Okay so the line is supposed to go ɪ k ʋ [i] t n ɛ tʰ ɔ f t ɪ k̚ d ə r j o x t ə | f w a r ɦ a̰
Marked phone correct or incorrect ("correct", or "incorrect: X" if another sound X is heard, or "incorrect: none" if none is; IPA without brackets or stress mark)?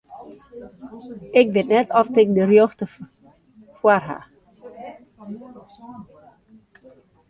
incorrect: ɪ